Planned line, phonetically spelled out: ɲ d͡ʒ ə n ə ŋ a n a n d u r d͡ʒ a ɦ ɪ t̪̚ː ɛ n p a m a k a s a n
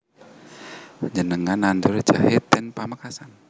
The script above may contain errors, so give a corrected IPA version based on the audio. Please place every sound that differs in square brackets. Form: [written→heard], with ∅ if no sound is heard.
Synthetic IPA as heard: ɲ d͡ʒ ə n ə ŋ a n a n d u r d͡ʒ a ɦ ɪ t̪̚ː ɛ n p a m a k a s a n